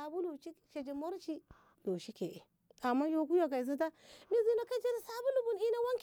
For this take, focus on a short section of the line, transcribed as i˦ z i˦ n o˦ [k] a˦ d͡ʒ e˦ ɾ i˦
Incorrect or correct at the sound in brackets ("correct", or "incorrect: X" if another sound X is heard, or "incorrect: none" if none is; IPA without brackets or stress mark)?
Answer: correct